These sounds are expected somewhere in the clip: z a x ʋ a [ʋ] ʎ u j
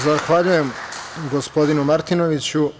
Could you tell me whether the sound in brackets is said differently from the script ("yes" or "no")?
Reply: yes